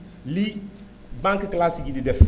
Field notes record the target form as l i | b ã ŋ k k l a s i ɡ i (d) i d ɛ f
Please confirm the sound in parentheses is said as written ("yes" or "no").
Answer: yes